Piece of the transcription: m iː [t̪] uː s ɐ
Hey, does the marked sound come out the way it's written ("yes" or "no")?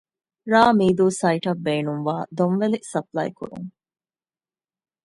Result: no